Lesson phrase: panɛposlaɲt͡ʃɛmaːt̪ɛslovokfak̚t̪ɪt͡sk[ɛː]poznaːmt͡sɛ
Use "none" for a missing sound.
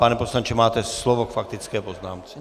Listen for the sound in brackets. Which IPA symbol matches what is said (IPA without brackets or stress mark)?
ɛː